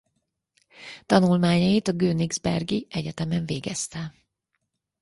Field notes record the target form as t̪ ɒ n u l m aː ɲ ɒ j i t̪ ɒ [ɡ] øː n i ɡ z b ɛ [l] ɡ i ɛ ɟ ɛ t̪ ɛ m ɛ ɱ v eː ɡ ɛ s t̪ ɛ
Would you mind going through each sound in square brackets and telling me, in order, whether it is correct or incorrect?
correct, incorrect

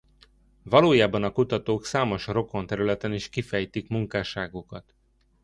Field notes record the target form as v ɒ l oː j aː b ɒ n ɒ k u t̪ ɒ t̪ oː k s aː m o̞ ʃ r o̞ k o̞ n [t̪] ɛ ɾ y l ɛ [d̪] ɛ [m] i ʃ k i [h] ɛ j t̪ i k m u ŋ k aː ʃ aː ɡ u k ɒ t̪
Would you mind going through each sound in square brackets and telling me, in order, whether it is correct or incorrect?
correct, incorrect, incorrect, incorrect

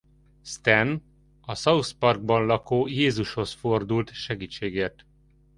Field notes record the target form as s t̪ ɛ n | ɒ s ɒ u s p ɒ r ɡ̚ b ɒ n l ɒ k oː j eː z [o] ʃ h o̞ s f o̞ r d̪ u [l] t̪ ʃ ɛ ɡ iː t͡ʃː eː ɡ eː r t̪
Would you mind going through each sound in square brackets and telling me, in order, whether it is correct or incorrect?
incorrect, correct

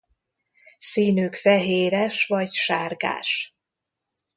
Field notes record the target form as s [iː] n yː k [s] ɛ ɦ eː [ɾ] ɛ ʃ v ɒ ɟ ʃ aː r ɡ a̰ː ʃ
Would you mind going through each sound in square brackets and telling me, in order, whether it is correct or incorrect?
correct, incorrect, correct

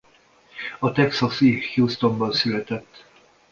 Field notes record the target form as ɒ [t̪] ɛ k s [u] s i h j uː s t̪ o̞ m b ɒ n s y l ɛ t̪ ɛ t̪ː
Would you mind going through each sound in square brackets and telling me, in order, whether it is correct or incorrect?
correct, incorrect

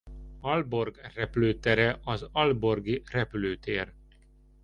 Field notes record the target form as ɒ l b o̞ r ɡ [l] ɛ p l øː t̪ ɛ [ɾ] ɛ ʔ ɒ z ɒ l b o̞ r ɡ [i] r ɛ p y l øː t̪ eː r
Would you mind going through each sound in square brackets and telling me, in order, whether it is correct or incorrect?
incorrect, correct, correct

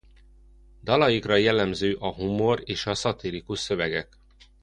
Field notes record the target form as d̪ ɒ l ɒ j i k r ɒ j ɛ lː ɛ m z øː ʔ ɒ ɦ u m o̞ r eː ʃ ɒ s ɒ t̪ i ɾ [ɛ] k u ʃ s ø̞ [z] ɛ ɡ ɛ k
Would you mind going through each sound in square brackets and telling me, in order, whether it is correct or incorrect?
incorrect, incorrect

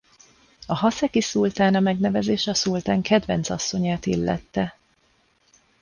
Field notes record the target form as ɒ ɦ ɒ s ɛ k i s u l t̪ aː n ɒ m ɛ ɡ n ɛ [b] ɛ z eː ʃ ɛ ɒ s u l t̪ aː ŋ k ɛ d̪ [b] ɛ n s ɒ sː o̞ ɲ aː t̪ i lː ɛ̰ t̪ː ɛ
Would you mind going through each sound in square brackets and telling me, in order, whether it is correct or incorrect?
incorrect, incorrect

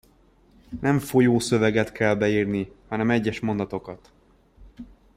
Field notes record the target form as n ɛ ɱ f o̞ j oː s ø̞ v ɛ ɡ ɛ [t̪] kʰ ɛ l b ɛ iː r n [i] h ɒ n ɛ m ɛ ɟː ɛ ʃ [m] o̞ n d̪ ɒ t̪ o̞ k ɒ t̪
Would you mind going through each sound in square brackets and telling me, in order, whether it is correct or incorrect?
correct, correct, correct

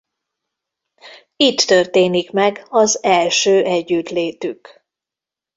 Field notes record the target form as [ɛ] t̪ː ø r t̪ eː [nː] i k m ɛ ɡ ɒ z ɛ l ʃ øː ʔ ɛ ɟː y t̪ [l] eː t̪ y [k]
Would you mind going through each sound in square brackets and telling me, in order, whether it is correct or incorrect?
incorrect, incorrect, correct, correct

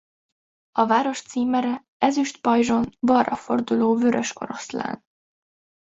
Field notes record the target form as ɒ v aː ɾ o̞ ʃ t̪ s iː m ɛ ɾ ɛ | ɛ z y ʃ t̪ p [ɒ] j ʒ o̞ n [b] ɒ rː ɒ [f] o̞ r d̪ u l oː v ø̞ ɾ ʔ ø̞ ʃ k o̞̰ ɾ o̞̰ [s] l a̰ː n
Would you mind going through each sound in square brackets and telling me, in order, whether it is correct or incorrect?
correct, correct, correct, correct

